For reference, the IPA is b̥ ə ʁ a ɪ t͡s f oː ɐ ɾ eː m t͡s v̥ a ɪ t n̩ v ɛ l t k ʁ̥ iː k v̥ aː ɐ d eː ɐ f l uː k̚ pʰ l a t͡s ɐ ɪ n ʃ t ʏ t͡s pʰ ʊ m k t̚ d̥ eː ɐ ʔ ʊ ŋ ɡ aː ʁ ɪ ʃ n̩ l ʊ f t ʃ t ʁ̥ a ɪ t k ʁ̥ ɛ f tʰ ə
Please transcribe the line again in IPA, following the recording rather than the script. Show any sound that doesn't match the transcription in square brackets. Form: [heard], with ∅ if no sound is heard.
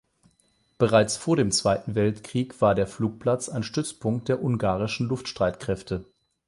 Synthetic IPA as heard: b̥ ə ʁ a ɪ t͡s f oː ɐ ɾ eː m t͡s v̥ a ɪ t n̩ v ɛ l t k ʁ̥ iː k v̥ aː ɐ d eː ɐ f l uː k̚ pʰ l a t͡s [a] ɪ n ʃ t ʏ t͡s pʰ ʊ [ŋ] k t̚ d̥ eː ɐ ʔ ʊ ŋ ɡ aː ʁ ɪ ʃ n̩ l ʊ f t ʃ t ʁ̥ a ɪ t k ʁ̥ ɛ f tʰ ə